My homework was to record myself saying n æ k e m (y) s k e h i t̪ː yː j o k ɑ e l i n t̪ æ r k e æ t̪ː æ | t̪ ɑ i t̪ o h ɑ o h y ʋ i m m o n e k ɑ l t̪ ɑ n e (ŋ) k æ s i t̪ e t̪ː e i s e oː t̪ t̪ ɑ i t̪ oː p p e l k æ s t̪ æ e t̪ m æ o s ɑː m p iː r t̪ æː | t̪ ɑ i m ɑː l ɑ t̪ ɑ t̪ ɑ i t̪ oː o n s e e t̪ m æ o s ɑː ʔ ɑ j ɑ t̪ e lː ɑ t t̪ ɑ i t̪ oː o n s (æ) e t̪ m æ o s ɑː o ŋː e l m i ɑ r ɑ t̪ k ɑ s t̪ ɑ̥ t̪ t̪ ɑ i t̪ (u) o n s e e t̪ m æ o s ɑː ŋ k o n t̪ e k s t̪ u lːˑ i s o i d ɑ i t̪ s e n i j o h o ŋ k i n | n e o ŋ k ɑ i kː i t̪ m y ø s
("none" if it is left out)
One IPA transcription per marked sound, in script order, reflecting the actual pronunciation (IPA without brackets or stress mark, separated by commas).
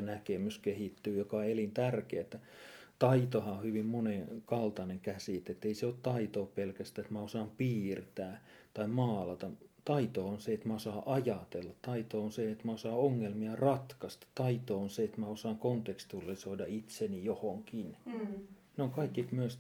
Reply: y, ŋ, e, o